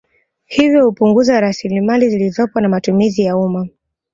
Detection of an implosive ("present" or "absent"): absent